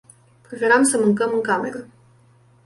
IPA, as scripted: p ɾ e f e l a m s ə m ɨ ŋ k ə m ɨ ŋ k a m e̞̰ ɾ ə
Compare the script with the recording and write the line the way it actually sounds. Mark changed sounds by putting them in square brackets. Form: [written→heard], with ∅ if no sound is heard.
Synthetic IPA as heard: p ɾ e f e [l→ɾ] a m s ə m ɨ ŋ k ə m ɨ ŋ k a m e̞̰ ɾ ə